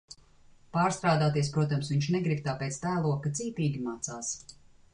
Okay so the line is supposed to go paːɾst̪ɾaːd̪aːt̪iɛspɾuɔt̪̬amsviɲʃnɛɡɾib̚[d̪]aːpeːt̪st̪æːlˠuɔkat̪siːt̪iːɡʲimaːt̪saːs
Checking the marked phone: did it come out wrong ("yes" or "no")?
yes